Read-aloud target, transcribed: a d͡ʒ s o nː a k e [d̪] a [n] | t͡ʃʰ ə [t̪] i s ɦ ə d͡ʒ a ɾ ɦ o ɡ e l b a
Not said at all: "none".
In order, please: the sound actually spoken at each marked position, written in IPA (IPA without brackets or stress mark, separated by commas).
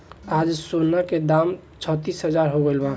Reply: d̪, m, t̪